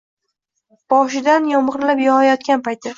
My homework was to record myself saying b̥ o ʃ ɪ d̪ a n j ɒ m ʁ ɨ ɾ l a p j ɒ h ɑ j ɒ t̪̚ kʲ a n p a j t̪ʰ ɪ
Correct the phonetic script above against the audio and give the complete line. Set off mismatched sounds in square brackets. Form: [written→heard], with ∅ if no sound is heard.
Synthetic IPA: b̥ [o→ɒ] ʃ ɪ d̪ a n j ɒ m ʁ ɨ ɾ l a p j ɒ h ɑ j ɒ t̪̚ kʲ a n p a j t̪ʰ ɪ